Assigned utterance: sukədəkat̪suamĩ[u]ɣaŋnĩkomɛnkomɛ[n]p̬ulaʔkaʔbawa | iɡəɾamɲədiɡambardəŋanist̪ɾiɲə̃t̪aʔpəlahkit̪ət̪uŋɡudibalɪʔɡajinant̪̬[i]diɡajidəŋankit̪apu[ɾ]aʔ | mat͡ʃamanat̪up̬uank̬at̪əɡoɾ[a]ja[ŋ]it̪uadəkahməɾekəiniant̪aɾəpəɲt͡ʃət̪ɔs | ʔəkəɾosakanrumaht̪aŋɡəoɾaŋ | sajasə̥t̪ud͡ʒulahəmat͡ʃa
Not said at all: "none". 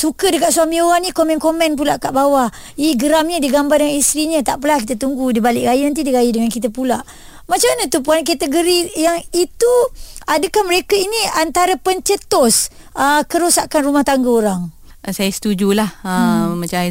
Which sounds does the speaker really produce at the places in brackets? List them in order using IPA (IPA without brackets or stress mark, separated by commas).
o, n, i, l, i, ŋ